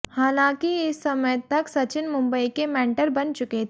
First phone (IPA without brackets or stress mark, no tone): h